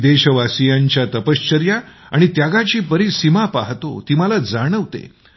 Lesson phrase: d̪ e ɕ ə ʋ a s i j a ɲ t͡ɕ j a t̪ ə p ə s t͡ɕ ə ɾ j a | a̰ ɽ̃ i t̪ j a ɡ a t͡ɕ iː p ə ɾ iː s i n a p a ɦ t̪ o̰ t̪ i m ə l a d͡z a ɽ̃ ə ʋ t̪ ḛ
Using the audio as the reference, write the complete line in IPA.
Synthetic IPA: d̪ e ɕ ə ʋ a s i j a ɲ t͡ɕ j a t̪ ə p ə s t͡ɕ ə ɾ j a | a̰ ɽ̃ i t̪ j a ɡ a t͡ɕ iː p ə ɾ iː s i m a p a ɦ t̪ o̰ t̪ i m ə l a d͡z a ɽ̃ ə ʋ t̪ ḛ